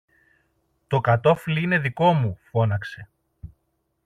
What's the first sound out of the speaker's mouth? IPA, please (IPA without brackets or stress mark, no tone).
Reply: t̪